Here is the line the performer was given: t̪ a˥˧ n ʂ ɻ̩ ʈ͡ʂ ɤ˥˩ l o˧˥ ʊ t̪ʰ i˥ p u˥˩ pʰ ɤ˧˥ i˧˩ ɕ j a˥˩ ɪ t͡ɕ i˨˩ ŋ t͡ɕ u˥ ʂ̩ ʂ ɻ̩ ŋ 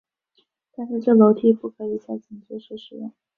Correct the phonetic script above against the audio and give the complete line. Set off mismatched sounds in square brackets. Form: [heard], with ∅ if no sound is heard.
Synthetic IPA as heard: t̪ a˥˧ n ʂ ɻ̩ ʈ͡ʂ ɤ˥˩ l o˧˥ ʊ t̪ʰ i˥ p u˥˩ [kʰ] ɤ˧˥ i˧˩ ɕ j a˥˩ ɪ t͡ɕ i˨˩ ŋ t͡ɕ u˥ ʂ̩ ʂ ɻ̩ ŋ